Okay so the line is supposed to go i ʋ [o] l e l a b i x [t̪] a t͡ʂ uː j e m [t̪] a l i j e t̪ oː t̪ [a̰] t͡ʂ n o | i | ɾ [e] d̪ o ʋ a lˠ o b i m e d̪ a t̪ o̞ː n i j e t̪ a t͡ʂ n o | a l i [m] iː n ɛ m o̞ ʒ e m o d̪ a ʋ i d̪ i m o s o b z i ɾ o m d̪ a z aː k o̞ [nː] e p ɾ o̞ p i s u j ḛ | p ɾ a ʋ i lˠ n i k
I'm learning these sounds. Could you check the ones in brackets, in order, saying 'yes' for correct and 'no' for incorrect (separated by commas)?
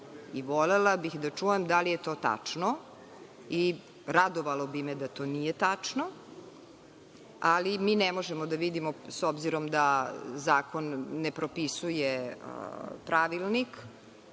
yes, no, no, yes, no, yes, yes